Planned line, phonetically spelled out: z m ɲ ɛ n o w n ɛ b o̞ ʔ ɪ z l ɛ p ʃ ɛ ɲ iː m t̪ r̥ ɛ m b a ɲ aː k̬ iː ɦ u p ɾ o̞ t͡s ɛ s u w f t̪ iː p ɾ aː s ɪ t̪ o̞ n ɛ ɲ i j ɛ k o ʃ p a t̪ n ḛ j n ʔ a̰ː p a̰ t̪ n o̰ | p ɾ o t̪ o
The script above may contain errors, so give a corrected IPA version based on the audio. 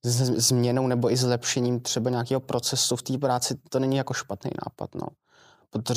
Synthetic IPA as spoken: z m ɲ ɛ n o w n ɛ b o̞ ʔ ɪ z l ɛ p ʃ ɛ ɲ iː m t̪ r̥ ɛ b a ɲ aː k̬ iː ɦ o p ɾ o̞ t͡s ɛ s u f t̪ iː p ɾ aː t͡s ɪ t̪ o̞ n ɛ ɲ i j a k o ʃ p a t̪ n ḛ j n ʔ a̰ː p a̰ t̪ n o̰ | p ɾ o t̪ o